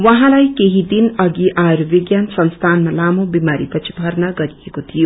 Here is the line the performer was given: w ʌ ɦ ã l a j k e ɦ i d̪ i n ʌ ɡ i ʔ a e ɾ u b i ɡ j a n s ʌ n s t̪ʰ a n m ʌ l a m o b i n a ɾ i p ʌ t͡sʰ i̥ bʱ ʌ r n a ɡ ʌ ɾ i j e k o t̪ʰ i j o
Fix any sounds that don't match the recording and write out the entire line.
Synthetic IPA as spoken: w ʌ ɦ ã l a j k e ɦ i d̪ i n ʌ ɡ i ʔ a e ɾ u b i ɡ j a n s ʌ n s t̪ʰ a n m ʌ l a m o b i m a ɾ i p ʌ t͡sʰ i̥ bʱ ʌ r n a ɡ ʌ ɾ i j e k o t̪ʰ i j o

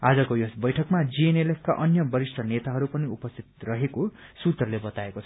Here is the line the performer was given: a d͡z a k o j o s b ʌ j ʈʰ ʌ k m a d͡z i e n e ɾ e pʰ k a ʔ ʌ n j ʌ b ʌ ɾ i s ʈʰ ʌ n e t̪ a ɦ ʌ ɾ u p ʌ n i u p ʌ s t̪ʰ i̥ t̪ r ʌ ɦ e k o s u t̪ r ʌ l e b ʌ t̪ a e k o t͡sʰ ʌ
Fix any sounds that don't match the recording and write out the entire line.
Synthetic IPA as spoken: a d͡z ʌ k o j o s b ʌ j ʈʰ ʌ k m a d͡z i e n e l e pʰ k a ʔ ʌ n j ʌ b ʌ ɾ i s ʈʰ ʌ n e t̪ a ɦ ʌ ɾ u p ʌ n i u p ʌ s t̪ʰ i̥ t̪ r ʌ ɦ e k o s u t̪ r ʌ l e b ʌ t̪ a e k o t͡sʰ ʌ

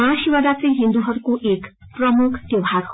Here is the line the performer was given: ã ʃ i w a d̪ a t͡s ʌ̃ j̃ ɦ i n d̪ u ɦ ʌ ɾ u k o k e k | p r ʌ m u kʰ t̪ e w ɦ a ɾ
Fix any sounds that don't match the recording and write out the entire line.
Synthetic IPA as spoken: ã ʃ i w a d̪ a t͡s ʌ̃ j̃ ɦ i n d̪ u ɦ ʌ ɾ u k o ʔ e k | p r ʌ m u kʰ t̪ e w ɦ a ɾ

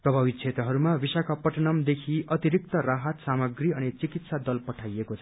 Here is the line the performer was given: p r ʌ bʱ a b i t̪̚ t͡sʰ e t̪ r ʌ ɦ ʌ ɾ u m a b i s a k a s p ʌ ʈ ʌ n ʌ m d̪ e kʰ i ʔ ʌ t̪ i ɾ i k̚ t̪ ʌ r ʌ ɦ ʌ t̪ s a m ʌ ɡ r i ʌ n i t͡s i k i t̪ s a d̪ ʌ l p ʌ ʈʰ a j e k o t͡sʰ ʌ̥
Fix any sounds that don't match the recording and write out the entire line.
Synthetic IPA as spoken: p r ʌ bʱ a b i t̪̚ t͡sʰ e t̪ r ʌ ɦ ʌ ɾ u m a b i s a k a p ʌ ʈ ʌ n ʌ m d̪ e kʰ i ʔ ʌ t̪ i ɾ i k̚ t̪ ʌ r a ɦ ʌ t̪ s a m ʌ ɡ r i ʌ n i t͡s i k i t̪ s a d̪ ʌ l p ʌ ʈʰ a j e k o t͡sʰ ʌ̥

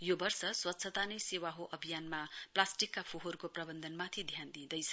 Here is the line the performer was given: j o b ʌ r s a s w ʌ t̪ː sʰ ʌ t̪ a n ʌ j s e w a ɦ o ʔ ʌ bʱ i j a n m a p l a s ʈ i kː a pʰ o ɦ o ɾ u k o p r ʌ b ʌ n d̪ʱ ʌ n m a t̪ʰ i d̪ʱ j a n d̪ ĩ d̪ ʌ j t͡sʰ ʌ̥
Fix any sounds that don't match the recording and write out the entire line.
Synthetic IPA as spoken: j o b ʌ r s ʌ s w ʌ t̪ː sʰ ʌ t̪ a n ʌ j s e w a ɦ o ʔ ʌ bʱ i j a n m a p l a s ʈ i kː a pʰ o ɦ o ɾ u k o p r ʌ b ʌ n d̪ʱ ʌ n m a t̪ʰ i d̪ʱ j a n d̪ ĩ d̪ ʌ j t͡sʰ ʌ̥

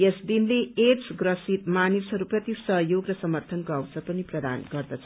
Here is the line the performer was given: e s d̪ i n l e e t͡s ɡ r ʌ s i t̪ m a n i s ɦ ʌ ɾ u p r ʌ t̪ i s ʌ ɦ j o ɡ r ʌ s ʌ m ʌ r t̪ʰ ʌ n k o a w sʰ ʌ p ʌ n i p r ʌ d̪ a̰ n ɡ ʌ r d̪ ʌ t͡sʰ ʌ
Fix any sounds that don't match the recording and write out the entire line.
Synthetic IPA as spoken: e s d̪ i n l e e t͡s ɡ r ʌ s i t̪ m a n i s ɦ ʌ ɾ u p r ʌ t̪ i s ʌ ɦ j o ɡ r ʌ s ʌ m ʌ r t̪ʰ ʌ n k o a w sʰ ʌ p ʌ n i p r ʌ d̪ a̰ n ɡ ʌ r d̪ ʌ t͡sʰ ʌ

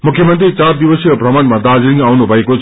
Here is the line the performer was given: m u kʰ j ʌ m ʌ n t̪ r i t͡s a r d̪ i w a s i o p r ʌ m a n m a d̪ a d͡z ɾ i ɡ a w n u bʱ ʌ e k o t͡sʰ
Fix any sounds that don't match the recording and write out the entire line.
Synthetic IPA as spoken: m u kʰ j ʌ m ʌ n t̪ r i t͡s a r d̪ i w ʌ s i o p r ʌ m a n m a d̪ a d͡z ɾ i ŋ a w n u bʱ ʌ e k o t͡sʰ

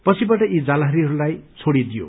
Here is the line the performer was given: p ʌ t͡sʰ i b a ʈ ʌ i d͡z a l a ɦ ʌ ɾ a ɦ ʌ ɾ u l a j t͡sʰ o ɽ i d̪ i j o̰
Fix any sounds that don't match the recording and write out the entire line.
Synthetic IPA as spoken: p ʌ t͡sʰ i b a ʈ ʌ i d͡z a l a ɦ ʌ ɾ i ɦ ʌ ɾ u l a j t͡sʰ o ɽ i d̪ i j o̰

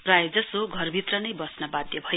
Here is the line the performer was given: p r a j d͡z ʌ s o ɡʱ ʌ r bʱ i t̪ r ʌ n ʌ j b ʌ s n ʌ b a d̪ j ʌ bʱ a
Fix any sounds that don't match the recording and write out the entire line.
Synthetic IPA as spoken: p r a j d͡z ʌ s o ɡʱ ʌ r bʱ i t̪ r ʌ n ʌ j b ʌ s n ʌ b a d̪ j ʌ bʱ ʌ

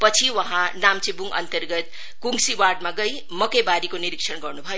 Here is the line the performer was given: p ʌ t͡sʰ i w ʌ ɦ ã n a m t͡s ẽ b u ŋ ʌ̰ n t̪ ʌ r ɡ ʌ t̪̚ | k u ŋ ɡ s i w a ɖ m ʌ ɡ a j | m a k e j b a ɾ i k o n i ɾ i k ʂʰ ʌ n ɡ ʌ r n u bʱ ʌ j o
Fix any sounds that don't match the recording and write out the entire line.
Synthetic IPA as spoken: p ʌ t͡sʰ i w ʌ ɦ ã n a m t͡s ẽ b u ŋ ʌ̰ n t̪ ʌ r ɡ ʌ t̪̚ | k u ŋ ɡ s i w a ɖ m a ɡ ʌ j | m ʌ k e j b a ɾ i k o n i ɾ i k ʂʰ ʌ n ɡ ʌ r n u bʱ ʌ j o

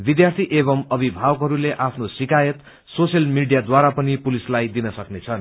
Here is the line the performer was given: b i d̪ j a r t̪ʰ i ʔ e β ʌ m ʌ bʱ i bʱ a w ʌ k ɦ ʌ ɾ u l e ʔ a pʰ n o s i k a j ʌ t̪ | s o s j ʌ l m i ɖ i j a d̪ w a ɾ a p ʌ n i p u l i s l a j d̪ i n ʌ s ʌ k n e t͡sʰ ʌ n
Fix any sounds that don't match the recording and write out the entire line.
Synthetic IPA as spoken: b i d̪ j a r t̪ʰ i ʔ e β ʌ m ʌ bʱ i bʱ a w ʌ k ɦ ʌ ɾ u l e ʔ a pʰ n o s i k a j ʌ t̪ | s o s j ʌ l m i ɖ i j a d̪ w a ɾ a p ʌ n i p u l i s l a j d̪ i n ʌ s ʌ k n e t͡sʰ ʌ n

